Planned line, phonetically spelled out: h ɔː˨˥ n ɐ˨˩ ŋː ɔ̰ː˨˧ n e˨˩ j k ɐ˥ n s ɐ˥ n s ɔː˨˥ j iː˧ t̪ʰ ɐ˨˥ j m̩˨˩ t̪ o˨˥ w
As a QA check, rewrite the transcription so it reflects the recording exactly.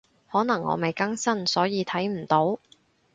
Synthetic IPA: h ɔː˨˥ n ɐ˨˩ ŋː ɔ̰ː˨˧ m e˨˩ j k ɐ˥ ŋ s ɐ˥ n s ɔː˨˥ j iː˧ t̪ʰ ɐ˨˥ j m̩˨˩ t̪ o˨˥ w

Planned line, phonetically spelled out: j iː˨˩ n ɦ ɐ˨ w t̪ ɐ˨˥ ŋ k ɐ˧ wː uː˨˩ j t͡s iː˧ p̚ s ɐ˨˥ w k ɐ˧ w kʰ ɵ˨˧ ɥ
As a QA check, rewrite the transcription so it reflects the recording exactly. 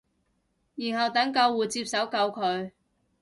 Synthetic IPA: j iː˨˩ n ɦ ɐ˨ w t̪ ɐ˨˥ ŋ k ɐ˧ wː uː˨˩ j t͡s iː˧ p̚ s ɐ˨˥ w k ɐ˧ w kʰ ɵ˨˧ ɥ

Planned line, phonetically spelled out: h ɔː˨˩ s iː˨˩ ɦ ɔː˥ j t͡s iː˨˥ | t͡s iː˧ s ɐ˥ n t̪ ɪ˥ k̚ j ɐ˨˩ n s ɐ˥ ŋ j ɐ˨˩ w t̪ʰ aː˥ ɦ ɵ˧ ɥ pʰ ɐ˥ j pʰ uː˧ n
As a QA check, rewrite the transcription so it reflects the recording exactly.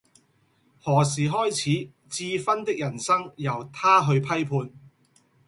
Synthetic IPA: h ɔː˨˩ s iː˨˩ ɦ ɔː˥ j t͡sʰ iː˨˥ | t͡s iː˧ f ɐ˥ n t̪ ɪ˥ k̚ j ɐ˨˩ n s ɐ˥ ŋ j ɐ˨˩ w t̪ʰ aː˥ ɦ ɵ˧ ɥ pʰ ɐ˥ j pʰ uː˧ n

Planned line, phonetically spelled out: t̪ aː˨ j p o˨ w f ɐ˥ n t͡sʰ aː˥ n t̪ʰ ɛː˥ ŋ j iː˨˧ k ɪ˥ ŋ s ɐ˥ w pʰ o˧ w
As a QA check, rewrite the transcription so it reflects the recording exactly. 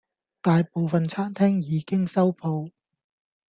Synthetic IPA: t̪ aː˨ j p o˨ w f ɐ˨ n t͡sʰ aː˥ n t̪ʰ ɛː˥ ŋ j iː˨˧ k ɪ˥ ŋ s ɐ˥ w pʰ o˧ w

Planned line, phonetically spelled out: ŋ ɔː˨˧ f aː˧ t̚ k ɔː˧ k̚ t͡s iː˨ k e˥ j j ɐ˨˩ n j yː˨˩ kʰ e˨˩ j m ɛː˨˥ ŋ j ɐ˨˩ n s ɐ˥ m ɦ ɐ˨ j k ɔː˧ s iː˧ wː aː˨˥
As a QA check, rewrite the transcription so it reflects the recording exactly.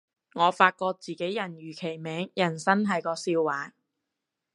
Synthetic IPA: ŋ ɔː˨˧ f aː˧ t̚ k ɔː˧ k̚ t͡s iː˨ k e˨˥ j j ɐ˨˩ n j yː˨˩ kʰ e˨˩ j m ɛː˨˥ ŋ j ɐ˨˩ n s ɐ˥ n ɦ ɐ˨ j k ɔː˧ s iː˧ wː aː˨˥

